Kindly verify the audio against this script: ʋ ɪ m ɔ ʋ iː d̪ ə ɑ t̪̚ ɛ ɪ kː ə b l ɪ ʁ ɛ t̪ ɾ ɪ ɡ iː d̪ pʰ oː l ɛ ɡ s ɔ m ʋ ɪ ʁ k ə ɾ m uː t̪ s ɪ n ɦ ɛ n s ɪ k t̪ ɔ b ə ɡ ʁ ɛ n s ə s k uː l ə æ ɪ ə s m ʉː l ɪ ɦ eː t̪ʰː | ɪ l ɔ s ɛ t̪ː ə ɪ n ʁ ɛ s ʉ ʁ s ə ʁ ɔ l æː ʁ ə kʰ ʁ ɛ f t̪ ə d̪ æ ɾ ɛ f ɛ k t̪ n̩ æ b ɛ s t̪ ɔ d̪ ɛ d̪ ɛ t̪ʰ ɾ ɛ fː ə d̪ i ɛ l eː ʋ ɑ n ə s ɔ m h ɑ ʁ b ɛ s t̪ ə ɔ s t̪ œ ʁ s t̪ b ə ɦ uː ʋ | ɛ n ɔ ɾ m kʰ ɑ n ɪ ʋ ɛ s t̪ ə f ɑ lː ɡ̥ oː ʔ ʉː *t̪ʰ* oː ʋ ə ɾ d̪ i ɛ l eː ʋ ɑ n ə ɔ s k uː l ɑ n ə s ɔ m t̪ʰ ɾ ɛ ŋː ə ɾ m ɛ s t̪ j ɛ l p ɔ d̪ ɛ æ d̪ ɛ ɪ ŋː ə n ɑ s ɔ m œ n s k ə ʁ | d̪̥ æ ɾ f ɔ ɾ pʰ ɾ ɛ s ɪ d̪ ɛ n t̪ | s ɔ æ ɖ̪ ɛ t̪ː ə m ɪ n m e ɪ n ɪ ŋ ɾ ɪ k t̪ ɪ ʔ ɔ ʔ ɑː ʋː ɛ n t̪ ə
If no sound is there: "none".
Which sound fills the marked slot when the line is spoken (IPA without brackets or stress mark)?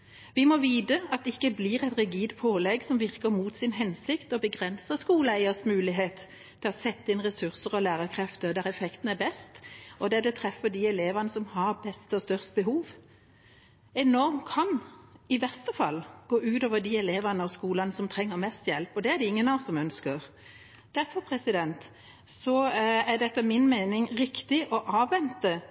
t̪